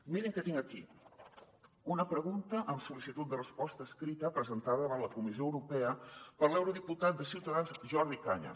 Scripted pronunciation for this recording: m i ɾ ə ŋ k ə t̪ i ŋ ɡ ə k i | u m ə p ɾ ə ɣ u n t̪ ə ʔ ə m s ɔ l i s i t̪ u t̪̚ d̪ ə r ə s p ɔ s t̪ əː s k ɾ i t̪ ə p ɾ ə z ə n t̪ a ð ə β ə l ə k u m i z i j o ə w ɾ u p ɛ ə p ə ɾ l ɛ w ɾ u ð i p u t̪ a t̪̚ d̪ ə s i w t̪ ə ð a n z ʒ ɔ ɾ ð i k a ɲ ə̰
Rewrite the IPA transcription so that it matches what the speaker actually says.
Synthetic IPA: m i ɾ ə ŋ k ə t̪ i ŋ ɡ ə k i | u n ə p ɾ ə ɣ u n t̪ ə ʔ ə m s u l i s i t̪ u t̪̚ d̪ ə r ə s p ɔ s t̪ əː s k ɾ i t̪ ə p ɾ ə z ə n t̪ a ð ə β ə l ə k u m i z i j o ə w ɾ u p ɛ ə p ə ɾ l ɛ w ɾ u ð i p u t̪ a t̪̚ d̪ ə s i w t̪ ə ð a n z ʒ ɔ ɾ ð i k a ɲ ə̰